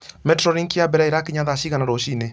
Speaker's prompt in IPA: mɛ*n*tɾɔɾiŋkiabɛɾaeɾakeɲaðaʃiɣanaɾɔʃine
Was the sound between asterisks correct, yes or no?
no